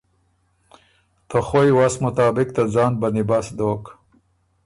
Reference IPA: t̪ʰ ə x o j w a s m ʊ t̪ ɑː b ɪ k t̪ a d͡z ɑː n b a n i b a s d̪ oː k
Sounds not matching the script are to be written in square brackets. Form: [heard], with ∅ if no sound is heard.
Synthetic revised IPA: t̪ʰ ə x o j w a s m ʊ t̪ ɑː b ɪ k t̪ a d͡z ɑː n b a n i b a s d̪ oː k